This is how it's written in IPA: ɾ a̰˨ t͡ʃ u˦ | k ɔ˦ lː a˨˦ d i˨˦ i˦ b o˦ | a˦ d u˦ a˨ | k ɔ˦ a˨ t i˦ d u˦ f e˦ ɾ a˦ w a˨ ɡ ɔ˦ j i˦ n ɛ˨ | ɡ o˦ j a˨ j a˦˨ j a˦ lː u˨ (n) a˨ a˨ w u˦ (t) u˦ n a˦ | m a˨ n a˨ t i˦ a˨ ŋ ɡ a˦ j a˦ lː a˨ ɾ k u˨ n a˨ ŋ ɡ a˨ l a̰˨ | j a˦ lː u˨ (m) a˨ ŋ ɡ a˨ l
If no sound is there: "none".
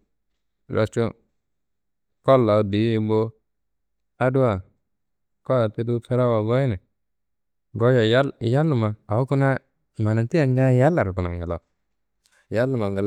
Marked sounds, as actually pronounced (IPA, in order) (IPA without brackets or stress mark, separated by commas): m, k, m